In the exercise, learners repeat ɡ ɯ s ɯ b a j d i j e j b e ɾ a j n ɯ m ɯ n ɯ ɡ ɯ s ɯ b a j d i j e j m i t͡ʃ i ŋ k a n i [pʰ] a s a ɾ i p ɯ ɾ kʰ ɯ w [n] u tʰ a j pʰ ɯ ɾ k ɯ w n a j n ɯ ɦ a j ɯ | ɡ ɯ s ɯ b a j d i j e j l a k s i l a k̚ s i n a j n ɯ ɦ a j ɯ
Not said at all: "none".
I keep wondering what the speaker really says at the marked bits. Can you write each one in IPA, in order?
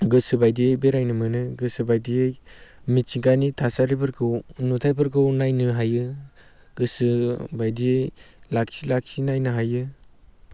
tʰ, n

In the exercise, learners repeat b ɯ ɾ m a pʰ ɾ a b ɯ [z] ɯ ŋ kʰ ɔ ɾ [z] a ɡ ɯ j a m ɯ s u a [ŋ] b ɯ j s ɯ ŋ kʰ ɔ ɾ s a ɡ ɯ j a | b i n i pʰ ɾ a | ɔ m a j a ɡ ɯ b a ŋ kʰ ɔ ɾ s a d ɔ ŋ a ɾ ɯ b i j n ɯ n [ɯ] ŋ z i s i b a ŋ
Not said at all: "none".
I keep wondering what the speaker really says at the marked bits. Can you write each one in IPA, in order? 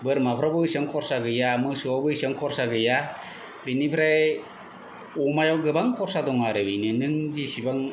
s, s, none, ɯ

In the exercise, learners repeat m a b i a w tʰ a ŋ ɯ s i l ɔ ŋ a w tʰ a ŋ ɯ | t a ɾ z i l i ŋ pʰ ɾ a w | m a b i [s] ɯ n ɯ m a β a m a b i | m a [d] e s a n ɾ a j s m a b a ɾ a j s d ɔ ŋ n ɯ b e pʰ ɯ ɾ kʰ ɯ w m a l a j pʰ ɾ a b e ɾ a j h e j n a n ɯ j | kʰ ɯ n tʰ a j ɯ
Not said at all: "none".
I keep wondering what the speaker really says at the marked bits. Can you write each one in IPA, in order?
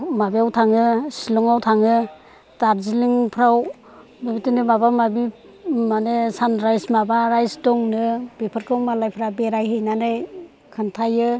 t, n

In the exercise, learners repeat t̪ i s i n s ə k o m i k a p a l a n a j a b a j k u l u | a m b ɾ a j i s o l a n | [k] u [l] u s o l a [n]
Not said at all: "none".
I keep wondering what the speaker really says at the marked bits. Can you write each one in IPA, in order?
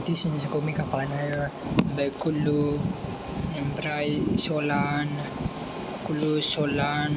k, l, n

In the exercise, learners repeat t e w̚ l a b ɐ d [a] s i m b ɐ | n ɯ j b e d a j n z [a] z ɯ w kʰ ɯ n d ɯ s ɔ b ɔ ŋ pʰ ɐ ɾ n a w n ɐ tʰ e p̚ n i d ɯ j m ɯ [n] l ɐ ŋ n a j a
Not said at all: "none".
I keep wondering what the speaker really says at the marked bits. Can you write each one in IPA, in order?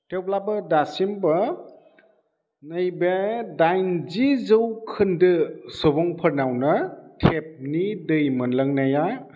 a, i, n

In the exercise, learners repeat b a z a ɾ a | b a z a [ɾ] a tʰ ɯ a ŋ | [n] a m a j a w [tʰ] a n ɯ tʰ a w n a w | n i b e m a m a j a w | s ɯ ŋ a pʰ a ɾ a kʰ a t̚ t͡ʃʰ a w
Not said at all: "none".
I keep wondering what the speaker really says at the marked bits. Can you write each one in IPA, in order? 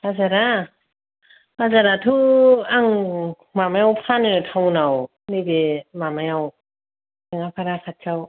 ɾ, m, pʰ

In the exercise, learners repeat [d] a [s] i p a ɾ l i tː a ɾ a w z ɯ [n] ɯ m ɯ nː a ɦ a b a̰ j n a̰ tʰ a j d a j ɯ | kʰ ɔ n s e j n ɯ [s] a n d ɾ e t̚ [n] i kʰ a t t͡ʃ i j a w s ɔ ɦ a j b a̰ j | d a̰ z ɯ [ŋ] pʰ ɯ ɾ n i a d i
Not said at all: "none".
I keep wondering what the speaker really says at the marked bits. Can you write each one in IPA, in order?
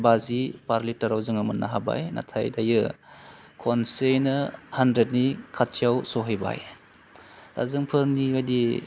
b, z, ŋ, h, n, ŋ

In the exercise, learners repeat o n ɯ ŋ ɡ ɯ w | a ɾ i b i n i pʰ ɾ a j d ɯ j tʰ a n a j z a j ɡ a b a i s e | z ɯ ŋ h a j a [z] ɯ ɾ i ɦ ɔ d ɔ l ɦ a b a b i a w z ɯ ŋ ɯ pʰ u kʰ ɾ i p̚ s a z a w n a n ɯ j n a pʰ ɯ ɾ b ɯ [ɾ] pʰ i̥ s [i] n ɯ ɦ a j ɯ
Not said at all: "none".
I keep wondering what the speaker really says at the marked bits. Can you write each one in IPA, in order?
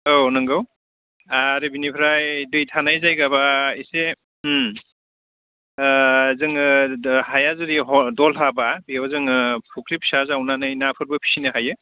z, none, i

